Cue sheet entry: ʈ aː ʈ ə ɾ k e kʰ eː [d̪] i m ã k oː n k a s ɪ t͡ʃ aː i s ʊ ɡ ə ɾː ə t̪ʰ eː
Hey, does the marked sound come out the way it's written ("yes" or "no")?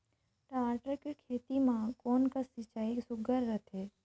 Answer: no